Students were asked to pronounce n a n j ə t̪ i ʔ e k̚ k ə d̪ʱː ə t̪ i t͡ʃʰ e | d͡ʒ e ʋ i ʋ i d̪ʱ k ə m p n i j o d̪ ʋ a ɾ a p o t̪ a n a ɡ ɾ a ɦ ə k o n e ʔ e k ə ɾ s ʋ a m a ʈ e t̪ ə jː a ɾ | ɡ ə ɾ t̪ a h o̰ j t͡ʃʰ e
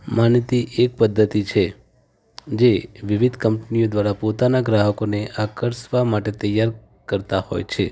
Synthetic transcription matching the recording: m a n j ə t̪ i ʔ e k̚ p ə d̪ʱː ə t̪ i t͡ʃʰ e | d͡ʒ e ʋ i ʋ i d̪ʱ k ə m p n i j o d̪ ʋ a ɾ a p o t̪ a n a ɡ ɾ a ɦ ə k o n e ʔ a k ə ɾ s ʋ a m a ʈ e t̪ ə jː a ɾ | k ə ɾ t̪ a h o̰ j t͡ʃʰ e